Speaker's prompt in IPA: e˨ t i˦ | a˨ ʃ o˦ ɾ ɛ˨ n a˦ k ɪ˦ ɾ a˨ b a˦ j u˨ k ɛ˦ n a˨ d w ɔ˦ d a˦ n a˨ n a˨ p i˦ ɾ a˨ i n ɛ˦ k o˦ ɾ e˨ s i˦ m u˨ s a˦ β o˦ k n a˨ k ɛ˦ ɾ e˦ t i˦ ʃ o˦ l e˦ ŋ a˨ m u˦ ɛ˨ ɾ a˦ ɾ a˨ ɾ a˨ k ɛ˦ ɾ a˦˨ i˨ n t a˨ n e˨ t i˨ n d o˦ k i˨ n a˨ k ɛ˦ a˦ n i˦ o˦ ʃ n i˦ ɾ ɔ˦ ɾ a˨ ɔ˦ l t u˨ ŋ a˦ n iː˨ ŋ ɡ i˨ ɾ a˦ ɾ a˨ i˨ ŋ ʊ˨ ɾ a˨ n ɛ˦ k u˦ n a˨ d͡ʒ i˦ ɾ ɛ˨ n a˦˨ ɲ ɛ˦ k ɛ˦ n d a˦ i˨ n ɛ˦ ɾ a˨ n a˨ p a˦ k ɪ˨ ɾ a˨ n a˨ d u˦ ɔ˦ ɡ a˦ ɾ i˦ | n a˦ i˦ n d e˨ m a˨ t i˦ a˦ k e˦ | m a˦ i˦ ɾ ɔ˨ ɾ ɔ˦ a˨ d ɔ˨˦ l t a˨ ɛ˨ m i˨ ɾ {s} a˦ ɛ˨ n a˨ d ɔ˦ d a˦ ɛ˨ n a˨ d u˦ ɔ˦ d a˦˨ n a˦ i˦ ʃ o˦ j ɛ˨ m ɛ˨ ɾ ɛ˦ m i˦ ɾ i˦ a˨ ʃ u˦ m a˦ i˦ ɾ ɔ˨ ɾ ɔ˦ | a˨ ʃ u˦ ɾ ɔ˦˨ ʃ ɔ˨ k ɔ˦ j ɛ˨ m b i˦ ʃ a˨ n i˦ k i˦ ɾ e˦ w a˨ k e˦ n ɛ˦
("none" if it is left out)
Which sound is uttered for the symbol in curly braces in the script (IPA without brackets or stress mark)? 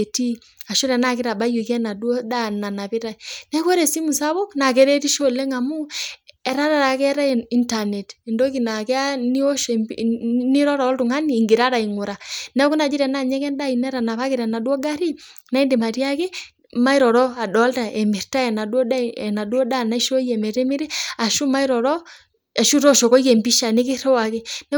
t